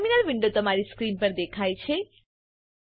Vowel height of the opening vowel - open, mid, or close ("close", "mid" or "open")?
close